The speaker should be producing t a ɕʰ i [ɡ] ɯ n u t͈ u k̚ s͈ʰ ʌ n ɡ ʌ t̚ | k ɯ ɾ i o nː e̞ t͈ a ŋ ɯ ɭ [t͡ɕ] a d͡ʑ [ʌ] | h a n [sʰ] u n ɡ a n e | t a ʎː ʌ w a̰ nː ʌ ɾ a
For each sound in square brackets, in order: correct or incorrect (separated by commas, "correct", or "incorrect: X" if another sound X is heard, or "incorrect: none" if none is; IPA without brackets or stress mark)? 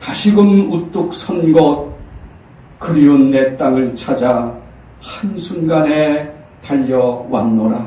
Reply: correct, incorrect: t͡ɕʰ, incorrect: a, correct